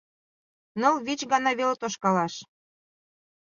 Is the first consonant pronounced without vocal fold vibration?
no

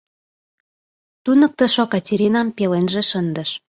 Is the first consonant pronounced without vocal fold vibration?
yes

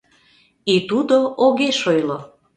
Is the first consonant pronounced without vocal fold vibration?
yes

